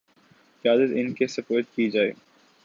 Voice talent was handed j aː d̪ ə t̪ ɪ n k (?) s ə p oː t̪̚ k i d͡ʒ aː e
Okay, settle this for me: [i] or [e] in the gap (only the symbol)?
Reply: e